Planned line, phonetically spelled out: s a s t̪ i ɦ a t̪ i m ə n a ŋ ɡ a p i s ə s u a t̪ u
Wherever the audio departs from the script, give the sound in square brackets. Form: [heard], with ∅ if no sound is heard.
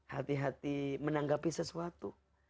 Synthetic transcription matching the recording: [h] a [∅] t̪ i ɦ a t̪ i m ə n a ŋ ɡ a p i s ə s u a t̪ u